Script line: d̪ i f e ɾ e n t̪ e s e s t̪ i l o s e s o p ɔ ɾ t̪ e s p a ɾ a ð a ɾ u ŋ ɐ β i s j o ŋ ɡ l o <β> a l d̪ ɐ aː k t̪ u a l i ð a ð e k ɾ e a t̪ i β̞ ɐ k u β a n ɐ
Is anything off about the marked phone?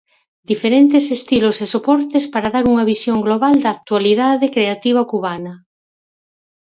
no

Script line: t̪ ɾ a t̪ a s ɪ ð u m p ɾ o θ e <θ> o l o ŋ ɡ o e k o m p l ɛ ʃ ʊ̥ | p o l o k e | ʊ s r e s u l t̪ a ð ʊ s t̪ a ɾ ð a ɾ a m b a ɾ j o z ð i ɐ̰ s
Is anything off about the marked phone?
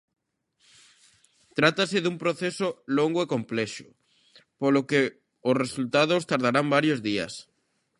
yes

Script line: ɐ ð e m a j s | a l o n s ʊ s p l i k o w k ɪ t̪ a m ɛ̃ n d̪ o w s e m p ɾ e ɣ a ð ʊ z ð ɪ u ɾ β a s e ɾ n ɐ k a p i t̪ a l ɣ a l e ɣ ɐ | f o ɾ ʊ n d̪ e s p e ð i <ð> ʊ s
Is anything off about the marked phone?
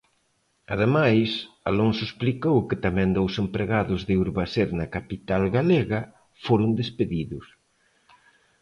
no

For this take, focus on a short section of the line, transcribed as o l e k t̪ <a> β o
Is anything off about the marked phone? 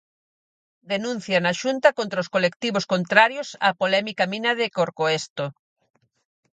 yes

